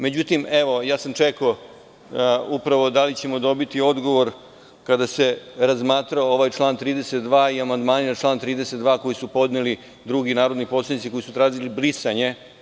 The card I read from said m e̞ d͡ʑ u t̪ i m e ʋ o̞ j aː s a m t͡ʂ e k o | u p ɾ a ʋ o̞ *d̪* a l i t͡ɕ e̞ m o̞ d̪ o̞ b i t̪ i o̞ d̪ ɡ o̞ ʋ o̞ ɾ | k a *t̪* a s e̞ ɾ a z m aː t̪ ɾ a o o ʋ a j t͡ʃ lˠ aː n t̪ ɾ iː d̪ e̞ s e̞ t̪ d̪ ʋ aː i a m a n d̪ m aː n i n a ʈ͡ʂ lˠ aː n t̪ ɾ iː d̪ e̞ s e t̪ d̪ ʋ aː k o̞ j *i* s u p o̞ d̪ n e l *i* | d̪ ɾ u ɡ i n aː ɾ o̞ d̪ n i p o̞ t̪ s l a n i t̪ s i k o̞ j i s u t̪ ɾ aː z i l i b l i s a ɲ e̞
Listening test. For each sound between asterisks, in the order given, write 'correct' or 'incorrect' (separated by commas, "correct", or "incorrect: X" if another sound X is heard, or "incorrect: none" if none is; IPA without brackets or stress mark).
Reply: correct, incorrect: d̪, correct, correct